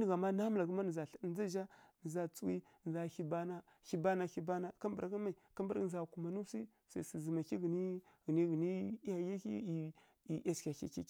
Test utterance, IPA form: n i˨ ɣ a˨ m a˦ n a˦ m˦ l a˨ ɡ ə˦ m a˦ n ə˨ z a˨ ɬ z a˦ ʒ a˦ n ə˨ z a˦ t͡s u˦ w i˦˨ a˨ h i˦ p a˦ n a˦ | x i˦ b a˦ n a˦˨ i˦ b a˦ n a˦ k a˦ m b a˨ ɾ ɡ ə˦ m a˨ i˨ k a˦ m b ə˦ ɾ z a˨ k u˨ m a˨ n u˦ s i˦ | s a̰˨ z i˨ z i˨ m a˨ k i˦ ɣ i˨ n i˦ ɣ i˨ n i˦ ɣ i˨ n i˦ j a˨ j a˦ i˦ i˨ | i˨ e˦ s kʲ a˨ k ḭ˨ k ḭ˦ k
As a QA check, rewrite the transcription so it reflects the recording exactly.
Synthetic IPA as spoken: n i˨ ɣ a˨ m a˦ n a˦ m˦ l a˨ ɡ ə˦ m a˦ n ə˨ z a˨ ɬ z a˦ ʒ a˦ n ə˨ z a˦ t͡s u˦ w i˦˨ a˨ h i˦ b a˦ n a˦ | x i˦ b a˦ n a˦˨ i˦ b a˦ n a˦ k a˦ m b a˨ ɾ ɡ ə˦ m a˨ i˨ k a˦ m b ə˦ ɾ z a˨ k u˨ m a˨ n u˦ s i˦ | s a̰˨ s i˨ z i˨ m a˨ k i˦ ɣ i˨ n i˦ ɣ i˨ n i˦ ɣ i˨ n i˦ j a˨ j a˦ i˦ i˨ | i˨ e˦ s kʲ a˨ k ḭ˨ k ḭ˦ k